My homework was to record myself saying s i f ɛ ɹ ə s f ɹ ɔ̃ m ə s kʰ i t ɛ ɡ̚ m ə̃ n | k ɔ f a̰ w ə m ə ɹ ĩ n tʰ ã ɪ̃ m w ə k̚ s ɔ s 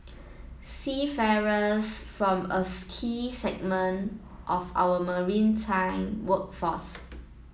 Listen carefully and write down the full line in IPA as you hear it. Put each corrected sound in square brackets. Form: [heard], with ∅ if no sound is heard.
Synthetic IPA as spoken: s i f ɛ ɹ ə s f ɹ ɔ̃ m ə s kʰ i [s] ɛ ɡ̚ m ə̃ n | [ʔ] ɔ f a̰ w ə m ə ɹ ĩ n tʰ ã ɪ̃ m w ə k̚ [f] ɔ s